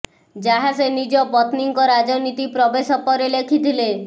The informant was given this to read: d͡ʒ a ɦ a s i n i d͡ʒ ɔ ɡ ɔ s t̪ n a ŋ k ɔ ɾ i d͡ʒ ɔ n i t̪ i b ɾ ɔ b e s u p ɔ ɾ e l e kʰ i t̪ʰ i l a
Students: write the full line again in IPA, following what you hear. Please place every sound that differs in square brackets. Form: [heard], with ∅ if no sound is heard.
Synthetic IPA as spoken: d͡ʒ a ɦ a s [e] n i d͡ʒ ɔ [b] ɔ [∅] t̪ n [i] ŋ k ɔ ɾ [a] d͡ʒ ɔ n i t̪ i [p] ɾ ɔ b e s [ɔ] p ɔ ɾ e l e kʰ i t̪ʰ i l [e]